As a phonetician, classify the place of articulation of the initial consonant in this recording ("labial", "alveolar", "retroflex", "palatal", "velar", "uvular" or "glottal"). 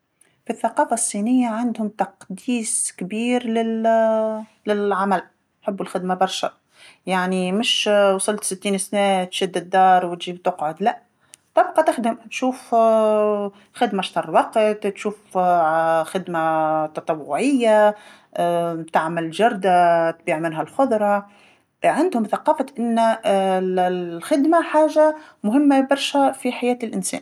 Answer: labial